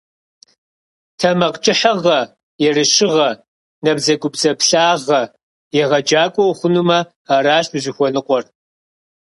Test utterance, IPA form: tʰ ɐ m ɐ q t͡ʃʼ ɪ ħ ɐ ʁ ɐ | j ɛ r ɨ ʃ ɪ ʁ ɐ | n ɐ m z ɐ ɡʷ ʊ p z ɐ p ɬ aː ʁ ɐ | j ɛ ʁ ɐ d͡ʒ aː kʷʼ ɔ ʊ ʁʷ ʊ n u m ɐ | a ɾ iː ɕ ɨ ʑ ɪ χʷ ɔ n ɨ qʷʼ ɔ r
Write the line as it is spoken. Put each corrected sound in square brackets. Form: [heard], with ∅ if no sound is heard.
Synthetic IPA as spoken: tʰ ɐ m ɐ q t͡ʃʼ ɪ ħ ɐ ʁ ɐ | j ɛ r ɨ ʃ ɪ ʁ ɐ | n ɐ [b] z ɐ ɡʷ ʊ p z ɐ p ɬ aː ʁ ɐ | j ɛ ʁ ɐ d͡ʒ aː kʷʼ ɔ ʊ [χʷ] ʊ n u m ɐ | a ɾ [aː] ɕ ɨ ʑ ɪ [xʷ] ɔ n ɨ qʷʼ ɔ r